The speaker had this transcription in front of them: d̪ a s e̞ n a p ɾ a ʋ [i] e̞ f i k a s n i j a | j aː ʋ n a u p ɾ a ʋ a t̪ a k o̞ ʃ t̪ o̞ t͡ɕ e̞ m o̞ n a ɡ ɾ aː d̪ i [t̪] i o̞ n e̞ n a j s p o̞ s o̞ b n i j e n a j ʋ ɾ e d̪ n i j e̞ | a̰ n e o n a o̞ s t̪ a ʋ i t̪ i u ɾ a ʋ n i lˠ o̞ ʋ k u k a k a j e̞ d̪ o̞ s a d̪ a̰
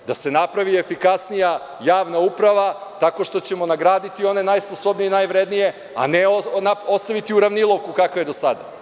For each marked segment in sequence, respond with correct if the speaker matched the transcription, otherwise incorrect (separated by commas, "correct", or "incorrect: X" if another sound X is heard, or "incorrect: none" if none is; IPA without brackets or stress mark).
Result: correct, correct